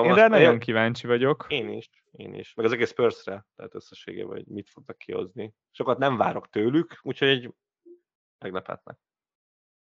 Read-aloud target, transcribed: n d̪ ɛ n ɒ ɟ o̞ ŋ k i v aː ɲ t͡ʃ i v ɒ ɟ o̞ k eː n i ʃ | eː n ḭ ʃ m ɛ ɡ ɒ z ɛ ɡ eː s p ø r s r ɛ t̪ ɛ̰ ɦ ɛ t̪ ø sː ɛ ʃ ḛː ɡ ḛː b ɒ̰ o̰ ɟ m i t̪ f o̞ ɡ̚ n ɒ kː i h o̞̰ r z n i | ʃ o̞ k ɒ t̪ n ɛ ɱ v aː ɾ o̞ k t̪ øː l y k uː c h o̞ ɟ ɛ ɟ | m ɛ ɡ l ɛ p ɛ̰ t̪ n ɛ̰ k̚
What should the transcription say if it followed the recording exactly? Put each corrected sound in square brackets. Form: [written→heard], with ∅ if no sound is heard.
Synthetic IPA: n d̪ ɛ n ɒ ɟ o̞ ŋ k i v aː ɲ t͡ʃ i v ɒ ɟ o̞ k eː n i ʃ | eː n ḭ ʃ m ɛ ɡ ɒ z ɛ ɡ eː s p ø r s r ɛ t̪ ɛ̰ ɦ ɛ t̪ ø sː ɛ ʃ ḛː ɡ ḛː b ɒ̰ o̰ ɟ m i t̪ f o̞ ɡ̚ n ɒ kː i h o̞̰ [r→∅] z n i | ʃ o̞ k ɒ t̪ n ɛ ɱ v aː ɾ o̞ k t̪ øː l y k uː c h o̞ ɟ ɛ ɟ | m ɛ ɡ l ɛ p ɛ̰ t̪ n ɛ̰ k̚